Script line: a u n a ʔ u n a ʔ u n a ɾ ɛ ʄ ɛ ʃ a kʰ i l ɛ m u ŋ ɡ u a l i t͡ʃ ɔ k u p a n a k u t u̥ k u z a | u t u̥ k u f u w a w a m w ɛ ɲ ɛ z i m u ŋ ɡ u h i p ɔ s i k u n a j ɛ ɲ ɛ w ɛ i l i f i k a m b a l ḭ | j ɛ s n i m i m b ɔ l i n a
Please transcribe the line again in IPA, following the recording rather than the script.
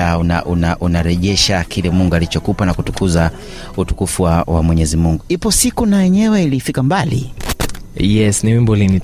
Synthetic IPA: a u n a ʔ u n a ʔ u n a ɾ ɛ ʄ ɛ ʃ a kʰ i l ɛ m u ŋ ɡ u a l i t͡ʃ ɔ k u p a n a k u t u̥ k u z a | u t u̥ k u f u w a w a m w ɛ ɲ ɛ z i m u ŋ ɡ u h i p ɔ s i k u n a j ɛ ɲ ɛ w ɛ i l i f i k a m b a l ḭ | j ɛ s n i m i m b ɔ l i n i